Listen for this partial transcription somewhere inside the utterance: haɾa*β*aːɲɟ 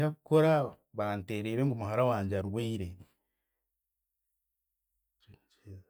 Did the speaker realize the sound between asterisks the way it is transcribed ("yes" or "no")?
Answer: no